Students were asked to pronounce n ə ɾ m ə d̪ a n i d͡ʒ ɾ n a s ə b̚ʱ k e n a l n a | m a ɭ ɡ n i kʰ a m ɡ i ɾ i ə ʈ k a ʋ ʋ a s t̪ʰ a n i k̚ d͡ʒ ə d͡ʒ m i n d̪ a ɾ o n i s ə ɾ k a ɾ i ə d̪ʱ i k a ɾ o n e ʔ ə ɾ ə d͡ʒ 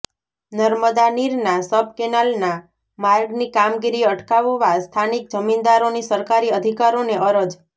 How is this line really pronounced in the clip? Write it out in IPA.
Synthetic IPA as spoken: n ə ɾ m ə d̪ a n i ɾ n a s ə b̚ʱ k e n a l n a | m a ɾ ɡ n i k a m ɡ i ɾ i ə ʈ k a ʋ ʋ a s t̪ʰ a n i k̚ d͡ʒ ə m i n d̪ a ɾ o n i s ə ɾ k a ɾ i ə d̪ʱ i k a ɾ o n e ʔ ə ɾ ə d͡ʒ